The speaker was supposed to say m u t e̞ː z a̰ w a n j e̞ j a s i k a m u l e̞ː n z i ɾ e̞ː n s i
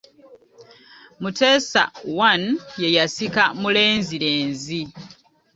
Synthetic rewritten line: m u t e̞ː s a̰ w a n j e̞ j a s i k a m u l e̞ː n z i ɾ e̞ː n z i